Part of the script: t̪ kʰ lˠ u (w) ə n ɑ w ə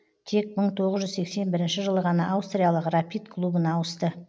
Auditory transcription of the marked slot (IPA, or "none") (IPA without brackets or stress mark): b